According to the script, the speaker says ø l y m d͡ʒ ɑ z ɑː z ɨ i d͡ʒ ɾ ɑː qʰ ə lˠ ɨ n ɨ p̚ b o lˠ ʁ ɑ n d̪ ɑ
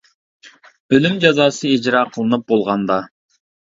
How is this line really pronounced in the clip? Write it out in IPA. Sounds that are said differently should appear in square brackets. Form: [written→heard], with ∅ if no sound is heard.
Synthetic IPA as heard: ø l y m d͡ʒ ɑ z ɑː [z→s] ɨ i d͡ʒ ɾ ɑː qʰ ə lˠ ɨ n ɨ p̚ b o lˠ ʁ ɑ n d̪ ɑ